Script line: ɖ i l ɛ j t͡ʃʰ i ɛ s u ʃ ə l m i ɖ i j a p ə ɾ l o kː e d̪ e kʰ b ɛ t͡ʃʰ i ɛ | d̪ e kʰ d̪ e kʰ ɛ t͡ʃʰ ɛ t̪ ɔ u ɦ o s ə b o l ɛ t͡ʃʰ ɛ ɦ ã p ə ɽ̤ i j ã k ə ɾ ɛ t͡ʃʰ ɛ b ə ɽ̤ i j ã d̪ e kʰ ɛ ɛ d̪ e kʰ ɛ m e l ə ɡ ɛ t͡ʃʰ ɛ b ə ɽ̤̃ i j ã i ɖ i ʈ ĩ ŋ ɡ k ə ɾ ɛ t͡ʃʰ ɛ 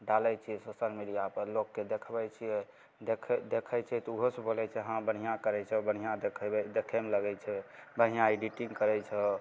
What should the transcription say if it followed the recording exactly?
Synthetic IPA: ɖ a l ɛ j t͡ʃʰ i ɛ s o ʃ ə l m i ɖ i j a p ə ɾ l o kː e d̪ e kʰ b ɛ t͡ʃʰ i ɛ | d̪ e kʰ d̪ e kʰ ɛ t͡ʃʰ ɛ t̪ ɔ u ɦ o s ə b o l ɛ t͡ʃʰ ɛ ɦ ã b ə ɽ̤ i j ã k ə ɾ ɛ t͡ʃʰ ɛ b ə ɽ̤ i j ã d̪ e kʰ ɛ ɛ d̪ e kʰ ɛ m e l ə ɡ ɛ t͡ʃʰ ɛ b ə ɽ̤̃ i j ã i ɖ i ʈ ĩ ŋ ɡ k ə ɾ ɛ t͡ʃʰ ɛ